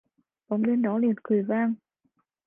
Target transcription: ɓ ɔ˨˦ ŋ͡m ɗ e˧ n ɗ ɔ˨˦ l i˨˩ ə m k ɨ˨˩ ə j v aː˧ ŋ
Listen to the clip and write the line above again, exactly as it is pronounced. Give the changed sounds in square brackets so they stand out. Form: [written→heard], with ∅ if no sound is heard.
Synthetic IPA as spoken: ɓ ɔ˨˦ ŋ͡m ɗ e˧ n ɗ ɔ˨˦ l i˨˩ ə [m→n] k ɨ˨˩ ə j v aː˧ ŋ